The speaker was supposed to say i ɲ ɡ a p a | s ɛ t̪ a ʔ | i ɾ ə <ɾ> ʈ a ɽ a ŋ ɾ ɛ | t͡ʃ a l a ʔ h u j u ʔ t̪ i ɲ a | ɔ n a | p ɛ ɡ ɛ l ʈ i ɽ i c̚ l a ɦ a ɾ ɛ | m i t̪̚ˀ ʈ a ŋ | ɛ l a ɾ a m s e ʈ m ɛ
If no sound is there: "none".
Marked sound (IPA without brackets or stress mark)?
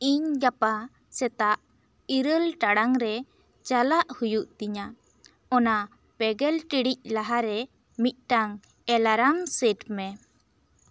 l